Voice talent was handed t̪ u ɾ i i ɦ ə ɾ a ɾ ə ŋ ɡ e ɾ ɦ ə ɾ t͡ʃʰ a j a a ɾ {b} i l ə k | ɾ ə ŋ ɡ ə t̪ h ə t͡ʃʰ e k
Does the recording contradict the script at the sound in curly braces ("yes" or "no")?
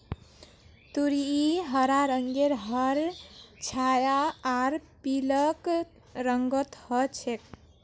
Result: yes